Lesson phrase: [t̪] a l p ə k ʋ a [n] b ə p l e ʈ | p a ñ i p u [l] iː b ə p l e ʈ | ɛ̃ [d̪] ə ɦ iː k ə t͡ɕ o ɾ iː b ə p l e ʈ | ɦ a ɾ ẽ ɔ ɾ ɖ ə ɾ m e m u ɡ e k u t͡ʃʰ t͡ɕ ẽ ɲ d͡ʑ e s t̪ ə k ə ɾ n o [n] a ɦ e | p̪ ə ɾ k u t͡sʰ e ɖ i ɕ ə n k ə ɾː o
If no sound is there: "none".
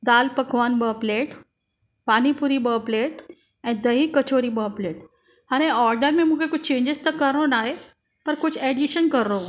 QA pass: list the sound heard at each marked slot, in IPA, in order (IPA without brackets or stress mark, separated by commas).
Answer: d̪, n, ɾ, d̪, n